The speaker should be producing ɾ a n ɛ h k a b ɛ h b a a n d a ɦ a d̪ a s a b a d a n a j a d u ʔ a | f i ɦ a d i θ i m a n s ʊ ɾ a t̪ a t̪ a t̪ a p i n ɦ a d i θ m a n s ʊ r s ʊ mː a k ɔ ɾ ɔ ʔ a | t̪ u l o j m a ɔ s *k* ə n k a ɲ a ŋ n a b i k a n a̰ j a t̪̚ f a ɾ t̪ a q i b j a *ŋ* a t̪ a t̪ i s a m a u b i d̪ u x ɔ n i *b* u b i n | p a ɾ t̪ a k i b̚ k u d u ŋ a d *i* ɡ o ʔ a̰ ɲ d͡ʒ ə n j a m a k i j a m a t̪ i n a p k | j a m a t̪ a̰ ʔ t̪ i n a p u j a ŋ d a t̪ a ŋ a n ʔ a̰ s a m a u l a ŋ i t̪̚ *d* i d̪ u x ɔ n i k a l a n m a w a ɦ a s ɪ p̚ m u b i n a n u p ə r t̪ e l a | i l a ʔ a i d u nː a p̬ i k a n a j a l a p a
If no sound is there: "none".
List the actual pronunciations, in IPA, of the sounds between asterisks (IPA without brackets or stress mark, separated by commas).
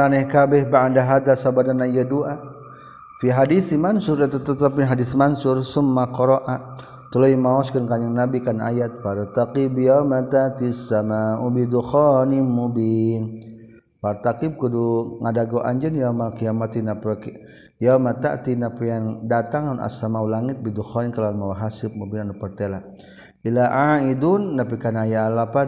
k, m, m, a, b